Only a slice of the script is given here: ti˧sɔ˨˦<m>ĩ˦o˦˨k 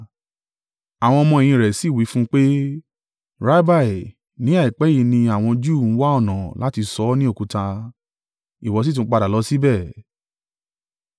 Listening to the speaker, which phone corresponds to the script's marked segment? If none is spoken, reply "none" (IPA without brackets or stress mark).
n